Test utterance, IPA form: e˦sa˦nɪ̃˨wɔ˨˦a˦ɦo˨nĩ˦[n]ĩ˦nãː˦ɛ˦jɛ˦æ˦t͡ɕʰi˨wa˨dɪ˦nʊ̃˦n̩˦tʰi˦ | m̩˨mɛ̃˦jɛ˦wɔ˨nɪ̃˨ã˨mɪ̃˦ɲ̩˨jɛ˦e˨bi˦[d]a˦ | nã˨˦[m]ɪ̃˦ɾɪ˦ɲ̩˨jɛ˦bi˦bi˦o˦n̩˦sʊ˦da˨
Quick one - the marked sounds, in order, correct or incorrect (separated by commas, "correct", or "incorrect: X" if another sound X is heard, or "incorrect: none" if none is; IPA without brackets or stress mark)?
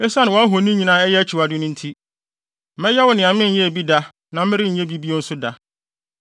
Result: incorrect: ɲ, correct, correct